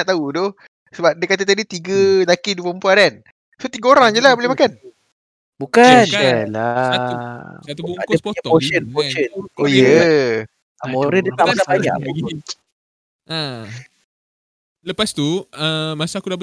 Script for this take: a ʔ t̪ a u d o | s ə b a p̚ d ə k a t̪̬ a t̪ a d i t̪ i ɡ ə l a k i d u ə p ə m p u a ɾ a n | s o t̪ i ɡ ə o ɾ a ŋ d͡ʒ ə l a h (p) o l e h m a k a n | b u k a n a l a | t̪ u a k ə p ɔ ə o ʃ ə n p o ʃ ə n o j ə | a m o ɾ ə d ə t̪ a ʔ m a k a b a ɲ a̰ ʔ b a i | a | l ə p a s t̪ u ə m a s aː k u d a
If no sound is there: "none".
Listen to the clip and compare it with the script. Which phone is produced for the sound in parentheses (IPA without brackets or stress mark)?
b